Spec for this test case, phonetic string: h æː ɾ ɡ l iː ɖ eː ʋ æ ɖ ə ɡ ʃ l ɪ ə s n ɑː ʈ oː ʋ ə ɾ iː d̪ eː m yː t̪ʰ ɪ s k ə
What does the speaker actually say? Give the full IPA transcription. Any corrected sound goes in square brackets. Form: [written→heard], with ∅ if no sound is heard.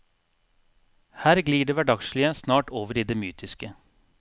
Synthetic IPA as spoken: h æː ɾ ɡ l iː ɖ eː ʋ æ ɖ [ə→ɑ] ɡ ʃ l ɪ ə s n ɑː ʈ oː ʋ ə ɾ iː d̪ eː m yː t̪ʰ ɪ s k ə